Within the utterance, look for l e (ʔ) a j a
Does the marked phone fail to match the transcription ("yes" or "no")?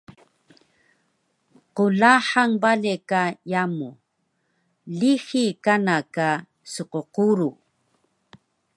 yes